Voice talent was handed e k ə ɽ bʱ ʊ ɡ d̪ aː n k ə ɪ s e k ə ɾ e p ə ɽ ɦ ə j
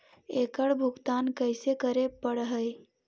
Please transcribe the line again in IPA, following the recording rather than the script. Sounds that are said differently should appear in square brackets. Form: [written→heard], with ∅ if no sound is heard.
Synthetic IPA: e k ə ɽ bʱ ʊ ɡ [d̪→t̪] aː n k ə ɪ s e k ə ɾ e p ə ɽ ɦ ə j